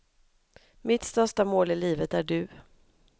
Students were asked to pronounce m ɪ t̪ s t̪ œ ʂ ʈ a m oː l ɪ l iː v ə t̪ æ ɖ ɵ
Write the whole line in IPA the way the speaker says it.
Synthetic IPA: m ɪ t̪ s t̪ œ ʂ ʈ a m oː l ɪ l iː v ə t̪ æ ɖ ɵ